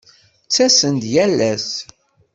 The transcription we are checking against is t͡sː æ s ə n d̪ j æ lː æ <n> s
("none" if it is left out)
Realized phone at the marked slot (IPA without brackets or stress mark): none